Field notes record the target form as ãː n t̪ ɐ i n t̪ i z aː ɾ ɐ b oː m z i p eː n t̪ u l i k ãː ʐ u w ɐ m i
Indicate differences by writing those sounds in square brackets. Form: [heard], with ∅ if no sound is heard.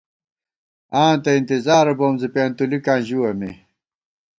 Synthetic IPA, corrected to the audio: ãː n t̪ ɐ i n t̪ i z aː ɾ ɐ b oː m z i p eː n t̪ u l i k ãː [ʑ] u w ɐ m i